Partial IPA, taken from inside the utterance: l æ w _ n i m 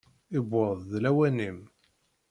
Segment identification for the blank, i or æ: æ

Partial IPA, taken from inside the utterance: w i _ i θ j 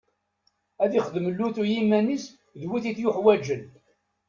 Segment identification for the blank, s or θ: θ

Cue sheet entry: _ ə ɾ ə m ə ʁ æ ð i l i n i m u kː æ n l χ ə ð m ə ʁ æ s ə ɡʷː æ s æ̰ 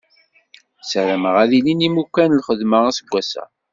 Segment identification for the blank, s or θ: s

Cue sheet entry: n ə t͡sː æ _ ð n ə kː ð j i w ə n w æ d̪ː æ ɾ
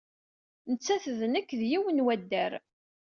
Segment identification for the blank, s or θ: θ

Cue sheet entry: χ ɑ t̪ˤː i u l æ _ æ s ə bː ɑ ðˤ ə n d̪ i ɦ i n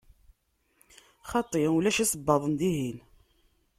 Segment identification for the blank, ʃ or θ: ʃ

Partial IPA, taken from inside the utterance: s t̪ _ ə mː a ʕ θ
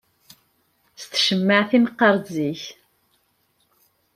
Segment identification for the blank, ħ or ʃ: ʃ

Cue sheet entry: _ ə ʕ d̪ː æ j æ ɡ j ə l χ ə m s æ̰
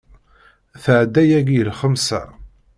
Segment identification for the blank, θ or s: θ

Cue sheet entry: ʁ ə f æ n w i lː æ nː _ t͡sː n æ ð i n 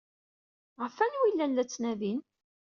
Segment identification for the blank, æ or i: æ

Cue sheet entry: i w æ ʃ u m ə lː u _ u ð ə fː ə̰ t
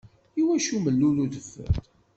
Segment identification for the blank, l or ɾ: l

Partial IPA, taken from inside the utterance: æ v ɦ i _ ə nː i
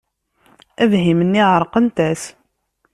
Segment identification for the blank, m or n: m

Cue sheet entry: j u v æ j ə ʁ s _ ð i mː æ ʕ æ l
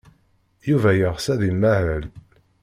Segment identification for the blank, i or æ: æ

